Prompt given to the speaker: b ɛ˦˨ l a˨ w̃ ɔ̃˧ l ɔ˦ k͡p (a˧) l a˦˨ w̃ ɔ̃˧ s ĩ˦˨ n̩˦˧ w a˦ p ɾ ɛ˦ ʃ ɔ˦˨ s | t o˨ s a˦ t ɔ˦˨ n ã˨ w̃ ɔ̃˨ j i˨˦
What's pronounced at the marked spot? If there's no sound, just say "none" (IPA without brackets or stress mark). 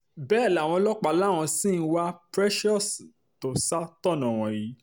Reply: a˧